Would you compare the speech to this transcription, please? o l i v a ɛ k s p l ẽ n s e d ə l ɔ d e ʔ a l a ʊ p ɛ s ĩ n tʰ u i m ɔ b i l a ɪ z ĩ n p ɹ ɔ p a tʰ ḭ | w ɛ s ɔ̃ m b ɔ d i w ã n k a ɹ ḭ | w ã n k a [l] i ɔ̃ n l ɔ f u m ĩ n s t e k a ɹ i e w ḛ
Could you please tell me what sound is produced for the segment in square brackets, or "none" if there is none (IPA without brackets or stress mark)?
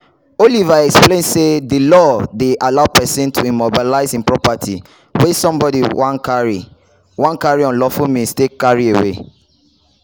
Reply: ɹ